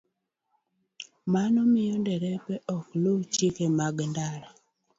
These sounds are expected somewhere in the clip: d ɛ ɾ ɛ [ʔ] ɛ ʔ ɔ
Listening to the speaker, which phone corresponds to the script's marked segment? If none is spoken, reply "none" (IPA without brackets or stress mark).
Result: p